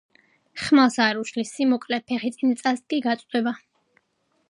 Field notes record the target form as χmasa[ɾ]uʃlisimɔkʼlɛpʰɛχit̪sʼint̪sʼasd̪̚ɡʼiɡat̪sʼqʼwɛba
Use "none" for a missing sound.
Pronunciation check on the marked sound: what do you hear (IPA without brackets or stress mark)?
ɾ